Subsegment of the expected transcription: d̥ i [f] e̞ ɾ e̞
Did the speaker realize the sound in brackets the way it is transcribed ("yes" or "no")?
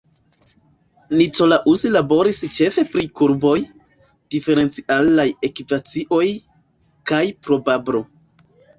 yes